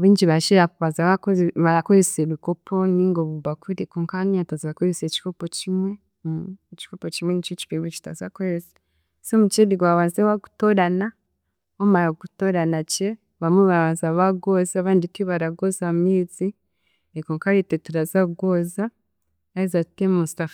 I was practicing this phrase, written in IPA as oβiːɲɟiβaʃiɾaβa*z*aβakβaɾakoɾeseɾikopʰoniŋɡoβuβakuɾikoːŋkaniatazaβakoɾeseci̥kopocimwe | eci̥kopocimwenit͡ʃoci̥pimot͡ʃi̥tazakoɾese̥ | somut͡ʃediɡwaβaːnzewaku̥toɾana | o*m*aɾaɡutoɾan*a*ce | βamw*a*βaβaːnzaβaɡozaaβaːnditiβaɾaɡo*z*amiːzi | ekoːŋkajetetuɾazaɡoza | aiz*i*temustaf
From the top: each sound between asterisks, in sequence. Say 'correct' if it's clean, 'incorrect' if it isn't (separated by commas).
correct, correct, correct, incorrect, correct, incorrect